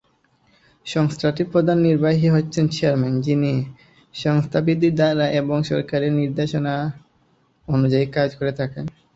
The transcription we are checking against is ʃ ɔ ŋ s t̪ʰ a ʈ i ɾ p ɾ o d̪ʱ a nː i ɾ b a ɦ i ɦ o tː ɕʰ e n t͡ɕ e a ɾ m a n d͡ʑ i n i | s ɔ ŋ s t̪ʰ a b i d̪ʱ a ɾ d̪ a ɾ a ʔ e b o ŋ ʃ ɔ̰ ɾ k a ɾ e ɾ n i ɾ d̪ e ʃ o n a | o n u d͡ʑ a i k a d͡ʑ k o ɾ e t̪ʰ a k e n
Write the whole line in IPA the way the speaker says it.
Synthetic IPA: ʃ ɔ ŋ s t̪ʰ a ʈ i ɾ p ɾ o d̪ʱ a nː i ɾ b a ɦ i ɦ o tː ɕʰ e n t͡ɕ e a ɾ m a n d͡ʑ i n i | ʃ ɔ ŋ s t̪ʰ a b i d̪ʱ i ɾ d̪ a ɾ a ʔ e b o ŋ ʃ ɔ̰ ɾ k a ɾ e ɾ n i ɾ d̪ e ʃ o n a | o n u d͡ʑ a i k a d͡ʑ k o ɾ e t̪ʰ a k e n